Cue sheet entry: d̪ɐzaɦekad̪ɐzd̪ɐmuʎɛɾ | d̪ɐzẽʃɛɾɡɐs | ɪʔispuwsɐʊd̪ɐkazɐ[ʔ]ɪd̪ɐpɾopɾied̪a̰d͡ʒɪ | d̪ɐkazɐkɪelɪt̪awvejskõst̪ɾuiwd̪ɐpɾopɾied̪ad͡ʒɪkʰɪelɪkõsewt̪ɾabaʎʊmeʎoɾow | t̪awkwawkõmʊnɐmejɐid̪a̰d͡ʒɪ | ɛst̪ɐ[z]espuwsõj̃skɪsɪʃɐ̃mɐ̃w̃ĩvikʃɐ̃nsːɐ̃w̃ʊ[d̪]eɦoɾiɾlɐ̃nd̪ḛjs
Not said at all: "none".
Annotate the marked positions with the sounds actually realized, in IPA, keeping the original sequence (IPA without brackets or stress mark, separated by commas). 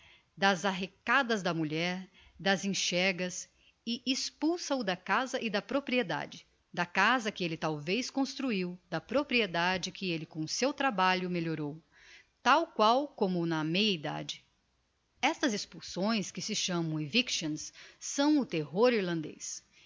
ʔ, z, t̪